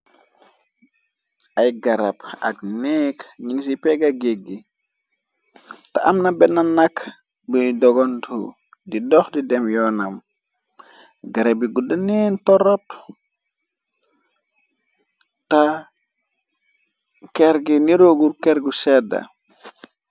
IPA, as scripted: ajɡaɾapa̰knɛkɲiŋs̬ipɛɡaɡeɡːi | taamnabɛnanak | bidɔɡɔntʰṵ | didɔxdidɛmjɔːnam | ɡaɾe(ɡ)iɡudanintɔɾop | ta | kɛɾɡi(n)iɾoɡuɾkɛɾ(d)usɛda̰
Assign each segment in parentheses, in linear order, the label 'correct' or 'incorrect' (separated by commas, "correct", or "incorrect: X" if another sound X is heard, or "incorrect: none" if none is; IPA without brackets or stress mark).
incorrect: b, correct, incorrect: ɡ